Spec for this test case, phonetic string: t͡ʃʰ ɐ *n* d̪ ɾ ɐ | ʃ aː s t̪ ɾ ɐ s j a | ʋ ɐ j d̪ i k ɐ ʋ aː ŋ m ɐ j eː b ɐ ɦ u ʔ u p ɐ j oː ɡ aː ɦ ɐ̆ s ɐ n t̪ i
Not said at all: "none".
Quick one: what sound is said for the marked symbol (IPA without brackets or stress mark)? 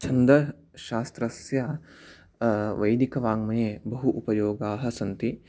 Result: n